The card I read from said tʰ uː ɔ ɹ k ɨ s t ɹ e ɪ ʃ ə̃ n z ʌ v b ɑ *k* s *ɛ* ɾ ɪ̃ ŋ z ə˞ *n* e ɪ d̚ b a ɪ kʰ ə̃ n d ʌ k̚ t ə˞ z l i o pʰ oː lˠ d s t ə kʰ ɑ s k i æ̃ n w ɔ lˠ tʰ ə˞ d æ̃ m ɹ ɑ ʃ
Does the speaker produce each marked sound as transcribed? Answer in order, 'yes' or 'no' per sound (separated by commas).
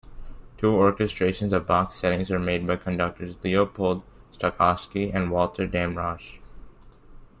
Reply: yes, yes, no